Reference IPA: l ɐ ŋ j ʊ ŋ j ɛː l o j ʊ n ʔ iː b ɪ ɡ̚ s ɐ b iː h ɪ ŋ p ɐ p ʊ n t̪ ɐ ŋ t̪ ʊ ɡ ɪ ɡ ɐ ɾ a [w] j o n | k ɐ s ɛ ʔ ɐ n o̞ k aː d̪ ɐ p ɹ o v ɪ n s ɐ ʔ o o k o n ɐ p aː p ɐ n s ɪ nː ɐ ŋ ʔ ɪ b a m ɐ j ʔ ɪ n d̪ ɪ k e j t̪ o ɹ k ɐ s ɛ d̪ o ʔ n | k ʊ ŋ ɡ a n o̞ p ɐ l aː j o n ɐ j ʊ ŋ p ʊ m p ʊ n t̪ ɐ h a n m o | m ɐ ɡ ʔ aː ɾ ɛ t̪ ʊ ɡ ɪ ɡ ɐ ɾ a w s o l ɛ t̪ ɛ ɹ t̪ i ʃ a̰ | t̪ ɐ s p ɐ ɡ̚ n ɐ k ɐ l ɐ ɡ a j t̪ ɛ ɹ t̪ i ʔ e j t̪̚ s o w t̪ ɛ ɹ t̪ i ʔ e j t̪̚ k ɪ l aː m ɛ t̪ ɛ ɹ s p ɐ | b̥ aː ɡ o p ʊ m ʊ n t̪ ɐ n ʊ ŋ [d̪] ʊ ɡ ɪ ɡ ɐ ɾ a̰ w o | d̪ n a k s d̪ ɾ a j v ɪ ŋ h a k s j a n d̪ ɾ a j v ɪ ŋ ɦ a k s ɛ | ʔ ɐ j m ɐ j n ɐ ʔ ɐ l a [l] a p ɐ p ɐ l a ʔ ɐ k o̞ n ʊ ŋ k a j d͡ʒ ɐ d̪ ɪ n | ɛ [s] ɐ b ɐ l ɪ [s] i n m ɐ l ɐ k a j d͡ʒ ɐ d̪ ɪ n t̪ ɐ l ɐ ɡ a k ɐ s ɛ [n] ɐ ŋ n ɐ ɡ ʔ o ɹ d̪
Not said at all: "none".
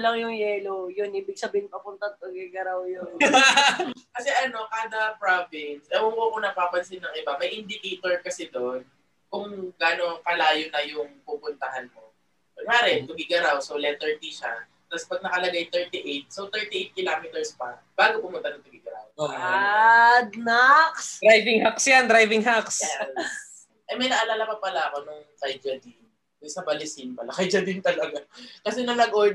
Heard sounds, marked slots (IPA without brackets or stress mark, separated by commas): w, t̪, l, s, s, n